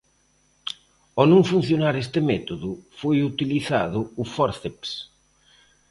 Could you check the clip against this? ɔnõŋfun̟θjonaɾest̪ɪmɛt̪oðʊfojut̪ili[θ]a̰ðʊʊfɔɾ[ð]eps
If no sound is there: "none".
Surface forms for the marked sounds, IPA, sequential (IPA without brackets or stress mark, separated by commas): θ, θ